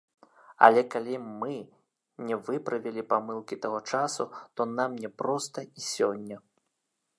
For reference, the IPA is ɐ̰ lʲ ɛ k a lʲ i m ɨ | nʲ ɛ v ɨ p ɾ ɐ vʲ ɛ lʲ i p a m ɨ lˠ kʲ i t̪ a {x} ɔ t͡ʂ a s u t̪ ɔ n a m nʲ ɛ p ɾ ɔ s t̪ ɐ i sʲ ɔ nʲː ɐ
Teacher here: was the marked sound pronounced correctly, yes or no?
no